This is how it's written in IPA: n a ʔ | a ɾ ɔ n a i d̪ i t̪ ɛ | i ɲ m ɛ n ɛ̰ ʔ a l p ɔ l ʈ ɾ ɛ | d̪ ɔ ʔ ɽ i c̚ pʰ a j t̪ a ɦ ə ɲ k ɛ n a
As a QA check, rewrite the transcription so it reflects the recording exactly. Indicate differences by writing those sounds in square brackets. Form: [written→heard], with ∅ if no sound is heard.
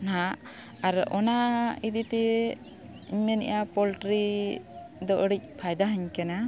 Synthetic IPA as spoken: n a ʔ | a ɾ ɔ n a i d̪ i t̪ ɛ | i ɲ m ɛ n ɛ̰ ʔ a [l→∅] p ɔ l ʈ ɾ [ɛ→i] | d̪ ɔ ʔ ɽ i c̚ pʰ a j [t̪→d̪] a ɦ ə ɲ k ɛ n a